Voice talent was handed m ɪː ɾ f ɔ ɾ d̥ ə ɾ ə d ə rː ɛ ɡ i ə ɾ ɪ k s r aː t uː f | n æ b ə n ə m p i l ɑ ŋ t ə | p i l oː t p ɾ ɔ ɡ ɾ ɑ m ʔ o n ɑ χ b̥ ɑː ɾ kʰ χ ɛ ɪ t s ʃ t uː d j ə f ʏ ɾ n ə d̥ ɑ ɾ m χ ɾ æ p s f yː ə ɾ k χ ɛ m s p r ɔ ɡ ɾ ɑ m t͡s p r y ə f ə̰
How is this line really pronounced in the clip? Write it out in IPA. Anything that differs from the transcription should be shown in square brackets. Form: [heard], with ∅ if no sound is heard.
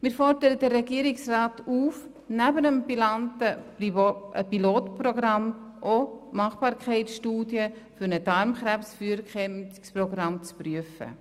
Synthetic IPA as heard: m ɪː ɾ f ɔ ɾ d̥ ə ɾ ə d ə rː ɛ ɡ i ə ɾ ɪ k s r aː t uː f | n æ b ə n ə m p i l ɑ [n] t ə | p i l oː t p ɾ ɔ ɡ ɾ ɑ m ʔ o [m] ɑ χ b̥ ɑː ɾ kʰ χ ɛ ɪ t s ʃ t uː d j ə f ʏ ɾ n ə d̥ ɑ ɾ m χ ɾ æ p s f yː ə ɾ k χ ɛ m s p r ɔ ɡ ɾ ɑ m t͡s p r y ə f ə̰

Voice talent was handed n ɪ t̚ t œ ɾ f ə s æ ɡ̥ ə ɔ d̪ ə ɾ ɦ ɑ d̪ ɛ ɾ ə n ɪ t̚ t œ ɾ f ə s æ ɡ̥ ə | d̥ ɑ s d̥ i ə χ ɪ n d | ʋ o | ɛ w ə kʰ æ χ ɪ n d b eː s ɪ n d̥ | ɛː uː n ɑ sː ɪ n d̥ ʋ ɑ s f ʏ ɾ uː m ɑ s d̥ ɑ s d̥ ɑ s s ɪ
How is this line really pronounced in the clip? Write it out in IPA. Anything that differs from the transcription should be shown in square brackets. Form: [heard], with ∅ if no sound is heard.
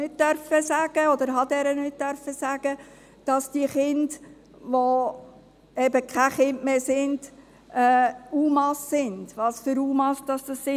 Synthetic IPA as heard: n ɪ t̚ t œ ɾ f ə s æ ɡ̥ ə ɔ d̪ ə ɾ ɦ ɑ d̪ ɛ ɾ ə n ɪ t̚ t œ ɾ f ə s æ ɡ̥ ə | d̥ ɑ s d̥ i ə χ ɪ n d | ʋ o | ɛ [b] ə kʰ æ χ ɪ n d [m] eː s ɪ n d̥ | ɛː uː [m] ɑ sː ɪ n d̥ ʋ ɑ s f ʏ ɾ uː m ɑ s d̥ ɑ s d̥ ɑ s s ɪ

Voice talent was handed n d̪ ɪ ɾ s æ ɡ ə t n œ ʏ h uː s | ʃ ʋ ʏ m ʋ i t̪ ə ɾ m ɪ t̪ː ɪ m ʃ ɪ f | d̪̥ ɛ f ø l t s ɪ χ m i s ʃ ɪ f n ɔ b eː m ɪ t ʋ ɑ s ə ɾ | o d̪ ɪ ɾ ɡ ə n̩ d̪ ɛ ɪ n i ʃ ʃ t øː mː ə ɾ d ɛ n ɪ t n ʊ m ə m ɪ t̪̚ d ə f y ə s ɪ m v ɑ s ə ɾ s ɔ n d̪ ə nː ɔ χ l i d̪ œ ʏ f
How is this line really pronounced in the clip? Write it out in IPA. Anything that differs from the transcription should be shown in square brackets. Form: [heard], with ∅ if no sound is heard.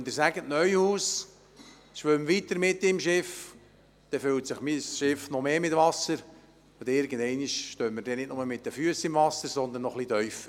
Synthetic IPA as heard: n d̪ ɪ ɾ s æ ɡ ə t n œ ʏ h uː s | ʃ ʋ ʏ m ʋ i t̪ ə ɾ m ɪ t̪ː ɪ m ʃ ɪ f | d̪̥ ɛ f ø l t s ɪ χ m i s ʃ ɪ f n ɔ [m] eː m ɪ t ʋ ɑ s ə ɾ | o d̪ ɪ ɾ ɡ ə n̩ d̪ ɛ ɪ n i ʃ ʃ t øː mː ə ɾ d ɛ n ɪ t n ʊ m ə m ɪ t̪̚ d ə f y ə s ɪ m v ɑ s ə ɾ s ɔ n d̪ ə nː ɔ χ l i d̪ œ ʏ f

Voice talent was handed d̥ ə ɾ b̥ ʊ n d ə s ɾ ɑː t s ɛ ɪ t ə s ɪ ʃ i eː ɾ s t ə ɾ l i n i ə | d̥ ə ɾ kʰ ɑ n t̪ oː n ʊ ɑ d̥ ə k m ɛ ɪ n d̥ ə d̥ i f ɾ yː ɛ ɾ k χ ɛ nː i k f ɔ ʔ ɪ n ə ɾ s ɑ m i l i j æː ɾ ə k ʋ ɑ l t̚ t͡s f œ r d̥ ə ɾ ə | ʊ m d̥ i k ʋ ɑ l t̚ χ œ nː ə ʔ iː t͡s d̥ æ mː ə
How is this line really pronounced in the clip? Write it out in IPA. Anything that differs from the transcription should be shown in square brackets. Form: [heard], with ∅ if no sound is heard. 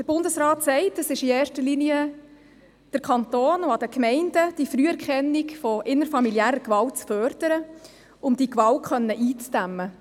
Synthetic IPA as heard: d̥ ə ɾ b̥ ʊ n d ə s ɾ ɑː t s ɛ ɪ t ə s ɪ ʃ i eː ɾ [ʃ] t ə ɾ l i n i ə | d̥ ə ɾ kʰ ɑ n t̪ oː n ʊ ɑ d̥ ə k m ɛ ɪ n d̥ ə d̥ i f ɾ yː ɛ ɾ k χ ɛ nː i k f ɔ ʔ ɪ n ə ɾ [f] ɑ m i l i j æː ɾ ə k ʋ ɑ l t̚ t͡s f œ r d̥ ə ɾ ə | ʊ m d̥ i k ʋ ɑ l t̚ χ œ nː ə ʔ iː t͡s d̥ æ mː ə

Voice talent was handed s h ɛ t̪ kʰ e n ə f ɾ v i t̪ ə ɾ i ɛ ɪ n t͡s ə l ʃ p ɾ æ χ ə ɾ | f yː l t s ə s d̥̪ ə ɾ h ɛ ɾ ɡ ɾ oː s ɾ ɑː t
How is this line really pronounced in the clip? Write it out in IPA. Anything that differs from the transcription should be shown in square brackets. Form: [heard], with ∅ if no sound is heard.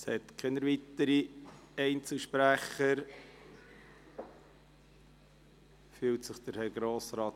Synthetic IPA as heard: s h ɛ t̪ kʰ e n ə [∅] ɾ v i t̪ ə ɾ i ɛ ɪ n t͡s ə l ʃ p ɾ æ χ ə ɾ | f yː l t s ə [χ] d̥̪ ə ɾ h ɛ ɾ ɡ ɾ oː s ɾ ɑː t

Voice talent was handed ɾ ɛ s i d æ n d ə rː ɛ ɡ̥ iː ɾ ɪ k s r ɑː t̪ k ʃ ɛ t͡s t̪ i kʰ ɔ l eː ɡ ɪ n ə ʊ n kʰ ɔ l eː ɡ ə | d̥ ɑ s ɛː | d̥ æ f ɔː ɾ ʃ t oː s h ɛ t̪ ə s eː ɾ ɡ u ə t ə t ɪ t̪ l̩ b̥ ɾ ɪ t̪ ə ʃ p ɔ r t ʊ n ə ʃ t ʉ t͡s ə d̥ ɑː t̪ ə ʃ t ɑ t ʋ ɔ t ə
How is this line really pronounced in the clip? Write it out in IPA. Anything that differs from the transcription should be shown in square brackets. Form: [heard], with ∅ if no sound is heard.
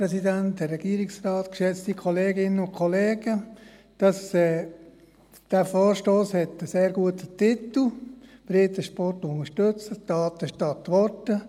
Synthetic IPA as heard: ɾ ɛ s i d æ n [t] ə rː ɛ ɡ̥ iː ɾ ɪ k s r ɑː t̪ k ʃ ɛ t͡s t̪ i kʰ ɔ l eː ɡ ɪ n ə ʊ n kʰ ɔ l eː ɡ ə | d̥ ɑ s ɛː | d̥ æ f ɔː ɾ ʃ t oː s h ɛ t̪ ə s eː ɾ ɡ u ə t ə t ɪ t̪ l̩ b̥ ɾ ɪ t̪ ə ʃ p ɔ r t ʊ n ə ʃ t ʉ t͡s ə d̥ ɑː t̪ ə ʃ t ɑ t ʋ ɔ t ə

